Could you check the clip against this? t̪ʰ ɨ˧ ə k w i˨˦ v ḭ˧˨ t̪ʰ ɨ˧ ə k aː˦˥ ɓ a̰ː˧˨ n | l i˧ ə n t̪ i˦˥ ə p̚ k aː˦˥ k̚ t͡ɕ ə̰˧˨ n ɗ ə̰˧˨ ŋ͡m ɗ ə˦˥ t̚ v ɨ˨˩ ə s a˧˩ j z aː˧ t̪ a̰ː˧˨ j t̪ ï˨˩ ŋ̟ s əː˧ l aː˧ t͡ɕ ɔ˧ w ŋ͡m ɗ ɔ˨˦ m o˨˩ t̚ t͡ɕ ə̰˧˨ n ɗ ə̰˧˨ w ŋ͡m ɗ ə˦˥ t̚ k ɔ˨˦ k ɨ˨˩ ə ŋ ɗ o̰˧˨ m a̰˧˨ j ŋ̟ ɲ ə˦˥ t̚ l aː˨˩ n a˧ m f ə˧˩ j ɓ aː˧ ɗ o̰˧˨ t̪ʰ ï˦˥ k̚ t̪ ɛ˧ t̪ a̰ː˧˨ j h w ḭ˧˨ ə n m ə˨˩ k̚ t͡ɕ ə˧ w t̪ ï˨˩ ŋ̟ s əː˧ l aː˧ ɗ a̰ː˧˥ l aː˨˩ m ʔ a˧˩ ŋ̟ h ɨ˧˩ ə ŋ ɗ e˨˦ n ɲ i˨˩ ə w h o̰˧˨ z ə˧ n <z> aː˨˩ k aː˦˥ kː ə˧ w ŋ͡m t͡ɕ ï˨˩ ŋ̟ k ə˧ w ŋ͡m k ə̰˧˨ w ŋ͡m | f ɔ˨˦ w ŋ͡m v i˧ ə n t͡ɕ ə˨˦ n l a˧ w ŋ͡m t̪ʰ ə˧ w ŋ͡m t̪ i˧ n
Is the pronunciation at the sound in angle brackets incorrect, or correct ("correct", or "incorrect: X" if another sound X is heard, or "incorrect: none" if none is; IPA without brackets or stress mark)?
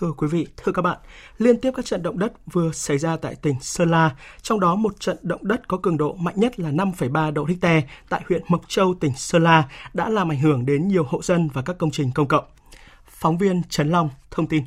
incorrect: v